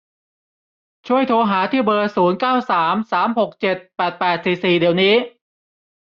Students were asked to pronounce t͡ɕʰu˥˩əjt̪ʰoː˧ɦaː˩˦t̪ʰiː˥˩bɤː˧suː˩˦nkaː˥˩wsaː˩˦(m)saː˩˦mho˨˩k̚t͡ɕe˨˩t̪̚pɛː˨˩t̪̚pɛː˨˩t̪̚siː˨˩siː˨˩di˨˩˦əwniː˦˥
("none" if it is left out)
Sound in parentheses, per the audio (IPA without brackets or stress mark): m